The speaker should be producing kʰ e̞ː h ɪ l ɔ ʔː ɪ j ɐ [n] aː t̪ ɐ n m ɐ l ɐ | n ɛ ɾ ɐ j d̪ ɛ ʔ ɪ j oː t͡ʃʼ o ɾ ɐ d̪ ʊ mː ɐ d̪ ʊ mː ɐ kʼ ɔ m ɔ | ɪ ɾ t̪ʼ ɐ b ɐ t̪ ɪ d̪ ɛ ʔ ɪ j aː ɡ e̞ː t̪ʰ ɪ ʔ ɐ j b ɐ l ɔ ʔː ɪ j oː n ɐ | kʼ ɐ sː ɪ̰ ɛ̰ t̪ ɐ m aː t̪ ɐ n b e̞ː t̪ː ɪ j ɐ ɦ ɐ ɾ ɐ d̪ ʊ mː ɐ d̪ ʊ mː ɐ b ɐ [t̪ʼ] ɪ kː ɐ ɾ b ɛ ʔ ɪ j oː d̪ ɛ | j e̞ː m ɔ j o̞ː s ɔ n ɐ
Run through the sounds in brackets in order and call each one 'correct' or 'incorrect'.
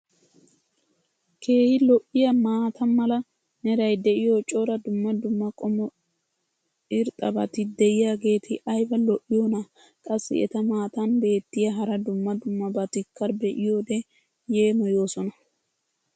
incorrect, incorrect

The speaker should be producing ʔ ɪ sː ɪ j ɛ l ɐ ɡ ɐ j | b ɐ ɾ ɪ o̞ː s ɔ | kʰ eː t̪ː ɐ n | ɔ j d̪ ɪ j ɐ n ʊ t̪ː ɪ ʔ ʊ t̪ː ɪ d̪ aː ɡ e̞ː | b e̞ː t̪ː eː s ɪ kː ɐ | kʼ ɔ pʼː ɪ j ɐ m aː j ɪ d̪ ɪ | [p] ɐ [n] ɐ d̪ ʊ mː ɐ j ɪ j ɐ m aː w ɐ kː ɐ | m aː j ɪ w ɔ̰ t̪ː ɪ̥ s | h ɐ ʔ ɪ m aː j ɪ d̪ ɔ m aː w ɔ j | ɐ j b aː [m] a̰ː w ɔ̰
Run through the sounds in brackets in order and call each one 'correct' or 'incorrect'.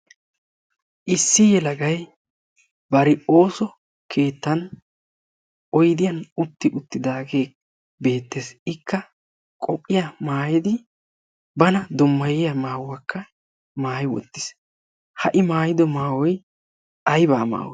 incorrect, correct, correct

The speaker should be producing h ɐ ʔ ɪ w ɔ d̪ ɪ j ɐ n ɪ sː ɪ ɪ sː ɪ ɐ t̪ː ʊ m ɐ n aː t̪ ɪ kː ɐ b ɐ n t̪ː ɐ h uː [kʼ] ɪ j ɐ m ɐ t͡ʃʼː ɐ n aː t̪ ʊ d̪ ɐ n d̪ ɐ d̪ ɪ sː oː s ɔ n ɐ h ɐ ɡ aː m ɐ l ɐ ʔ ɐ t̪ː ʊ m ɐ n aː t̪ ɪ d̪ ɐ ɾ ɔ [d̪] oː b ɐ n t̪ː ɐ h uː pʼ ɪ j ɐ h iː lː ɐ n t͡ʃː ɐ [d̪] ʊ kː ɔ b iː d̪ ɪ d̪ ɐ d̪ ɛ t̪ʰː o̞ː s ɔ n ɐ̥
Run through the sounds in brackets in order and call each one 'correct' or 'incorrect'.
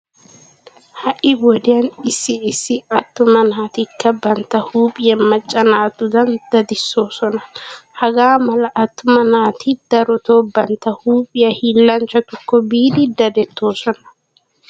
incorrect, incorrect, incorrect

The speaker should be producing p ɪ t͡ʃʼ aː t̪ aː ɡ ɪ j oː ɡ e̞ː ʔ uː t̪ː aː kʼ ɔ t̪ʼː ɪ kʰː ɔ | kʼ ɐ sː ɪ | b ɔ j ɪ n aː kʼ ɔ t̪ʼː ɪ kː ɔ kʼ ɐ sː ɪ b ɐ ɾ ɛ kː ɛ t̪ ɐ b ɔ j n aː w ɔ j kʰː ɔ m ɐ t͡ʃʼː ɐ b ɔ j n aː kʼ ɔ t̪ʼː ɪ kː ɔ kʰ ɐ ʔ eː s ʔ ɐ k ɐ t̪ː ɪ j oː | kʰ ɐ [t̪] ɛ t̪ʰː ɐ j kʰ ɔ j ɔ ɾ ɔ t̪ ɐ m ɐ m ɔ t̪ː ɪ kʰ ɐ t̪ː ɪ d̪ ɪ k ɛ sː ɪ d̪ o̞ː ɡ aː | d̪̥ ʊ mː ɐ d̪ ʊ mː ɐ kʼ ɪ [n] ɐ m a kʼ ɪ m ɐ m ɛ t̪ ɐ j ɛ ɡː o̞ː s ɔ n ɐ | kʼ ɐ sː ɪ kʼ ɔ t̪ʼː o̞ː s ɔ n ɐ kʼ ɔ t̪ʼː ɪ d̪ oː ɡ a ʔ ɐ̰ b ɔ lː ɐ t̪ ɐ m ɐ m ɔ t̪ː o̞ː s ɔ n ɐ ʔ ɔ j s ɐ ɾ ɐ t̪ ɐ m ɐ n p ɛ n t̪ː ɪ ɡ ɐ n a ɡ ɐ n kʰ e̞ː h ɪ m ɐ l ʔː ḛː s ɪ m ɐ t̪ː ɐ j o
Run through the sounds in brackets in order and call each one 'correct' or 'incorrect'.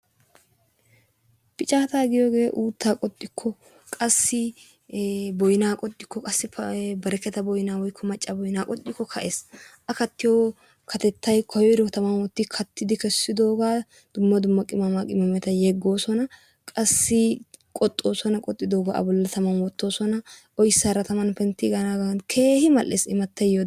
correct, incorrect

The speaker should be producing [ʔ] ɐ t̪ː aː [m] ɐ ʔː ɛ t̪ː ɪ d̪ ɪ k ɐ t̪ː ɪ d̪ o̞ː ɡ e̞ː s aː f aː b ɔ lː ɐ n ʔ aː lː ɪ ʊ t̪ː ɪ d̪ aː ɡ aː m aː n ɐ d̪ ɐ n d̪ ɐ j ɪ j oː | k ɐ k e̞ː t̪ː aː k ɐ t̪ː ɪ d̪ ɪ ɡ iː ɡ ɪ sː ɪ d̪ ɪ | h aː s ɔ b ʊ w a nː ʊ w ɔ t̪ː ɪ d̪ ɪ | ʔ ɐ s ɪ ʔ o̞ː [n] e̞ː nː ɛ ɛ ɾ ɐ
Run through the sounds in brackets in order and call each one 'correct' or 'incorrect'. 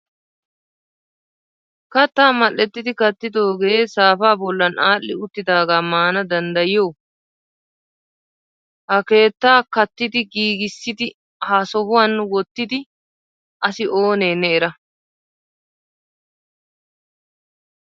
incorrect, correct, correct

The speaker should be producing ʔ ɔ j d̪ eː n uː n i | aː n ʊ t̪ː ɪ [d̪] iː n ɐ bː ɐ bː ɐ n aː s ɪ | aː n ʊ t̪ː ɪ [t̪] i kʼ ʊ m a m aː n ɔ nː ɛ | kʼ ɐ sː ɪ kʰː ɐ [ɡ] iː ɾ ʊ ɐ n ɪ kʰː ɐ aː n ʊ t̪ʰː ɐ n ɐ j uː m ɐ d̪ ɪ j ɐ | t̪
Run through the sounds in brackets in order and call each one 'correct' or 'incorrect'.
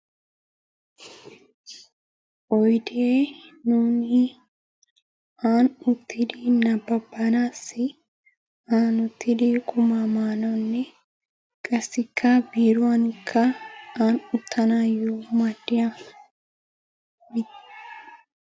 correct, incorrect, incorrect

